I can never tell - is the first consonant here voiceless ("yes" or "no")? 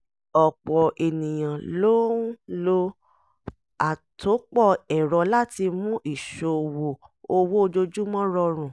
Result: yes